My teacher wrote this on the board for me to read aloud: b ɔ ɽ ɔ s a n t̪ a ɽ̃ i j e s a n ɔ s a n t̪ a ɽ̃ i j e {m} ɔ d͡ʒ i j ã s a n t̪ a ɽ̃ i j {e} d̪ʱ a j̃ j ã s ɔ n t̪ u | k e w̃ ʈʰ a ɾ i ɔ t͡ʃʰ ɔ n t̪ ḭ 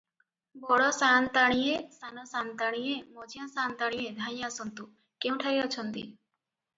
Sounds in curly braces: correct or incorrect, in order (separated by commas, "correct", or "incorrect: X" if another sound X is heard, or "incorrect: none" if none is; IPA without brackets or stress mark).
correct, correct